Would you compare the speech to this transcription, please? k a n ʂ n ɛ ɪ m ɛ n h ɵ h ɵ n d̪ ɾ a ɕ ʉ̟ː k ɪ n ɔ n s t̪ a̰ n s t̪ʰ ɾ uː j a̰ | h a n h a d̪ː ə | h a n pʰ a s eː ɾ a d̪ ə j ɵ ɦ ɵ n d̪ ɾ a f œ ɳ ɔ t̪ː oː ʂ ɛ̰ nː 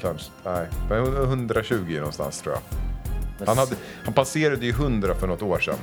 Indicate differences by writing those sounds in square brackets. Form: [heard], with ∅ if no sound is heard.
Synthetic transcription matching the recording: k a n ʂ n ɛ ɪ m ɛ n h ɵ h ɵ n d̪ ɾ a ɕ ʉ̟ː [ɡ] ɪ n ɔ n s t̪ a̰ n s t̪ʰ ɾ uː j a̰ | h a n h a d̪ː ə | h a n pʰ a s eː ɾ a d̪ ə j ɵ ɦ ɵ n d̪ ɾ a f œ ɳ ɔ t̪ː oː ʂ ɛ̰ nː